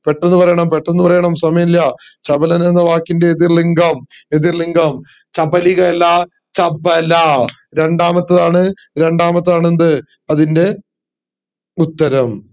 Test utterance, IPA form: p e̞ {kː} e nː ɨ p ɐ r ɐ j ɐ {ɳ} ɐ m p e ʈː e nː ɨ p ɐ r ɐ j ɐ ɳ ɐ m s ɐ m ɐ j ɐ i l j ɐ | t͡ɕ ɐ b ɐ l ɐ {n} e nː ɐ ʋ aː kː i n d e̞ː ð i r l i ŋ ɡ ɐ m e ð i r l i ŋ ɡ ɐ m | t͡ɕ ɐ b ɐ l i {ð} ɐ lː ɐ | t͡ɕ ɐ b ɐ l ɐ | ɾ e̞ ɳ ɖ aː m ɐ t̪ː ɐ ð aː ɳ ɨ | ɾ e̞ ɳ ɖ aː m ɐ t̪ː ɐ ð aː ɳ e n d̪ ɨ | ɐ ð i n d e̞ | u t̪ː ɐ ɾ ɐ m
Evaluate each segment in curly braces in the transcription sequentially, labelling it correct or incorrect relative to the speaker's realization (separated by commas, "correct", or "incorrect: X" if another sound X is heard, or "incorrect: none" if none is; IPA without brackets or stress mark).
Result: incorrect: ʈː, correct, correct, incorrect: ɣ